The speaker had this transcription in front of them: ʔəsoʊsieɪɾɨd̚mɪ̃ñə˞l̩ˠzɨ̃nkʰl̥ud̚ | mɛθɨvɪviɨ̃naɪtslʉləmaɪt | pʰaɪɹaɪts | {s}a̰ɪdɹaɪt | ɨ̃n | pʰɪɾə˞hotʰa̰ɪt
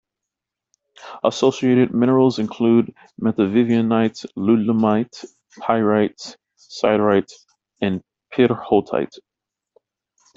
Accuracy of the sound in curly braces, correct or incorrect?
correct